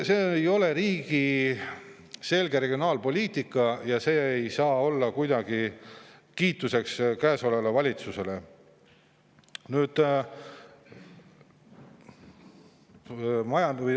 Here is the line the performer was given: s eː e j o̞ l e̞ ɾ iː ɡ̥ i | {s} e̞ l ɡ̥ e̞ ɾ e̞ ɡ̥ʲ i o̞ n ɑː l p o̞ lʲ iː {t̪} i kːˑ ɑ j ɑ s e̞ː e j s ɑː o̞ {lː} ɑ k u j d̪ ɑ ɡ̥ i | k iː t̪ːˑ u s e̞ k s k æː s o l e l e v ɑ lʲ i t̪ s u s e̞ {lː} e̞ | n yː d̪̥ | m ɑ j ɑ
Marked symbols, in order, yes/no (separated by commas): yes, yes, yes, no